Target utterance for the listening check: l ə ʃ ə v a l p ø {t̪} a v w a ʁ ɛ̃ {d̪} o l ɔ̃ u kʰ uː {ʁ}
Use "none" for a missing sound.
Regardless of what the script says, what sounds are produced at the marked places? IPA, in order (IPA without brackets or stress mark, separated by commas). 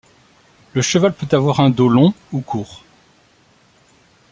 t̪, d̪, ʁ